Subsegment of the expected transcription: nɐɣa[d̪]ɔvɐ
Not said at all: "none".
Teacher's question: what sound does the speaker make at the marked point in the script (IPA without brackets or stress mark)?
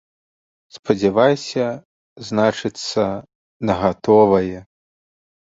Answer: t̪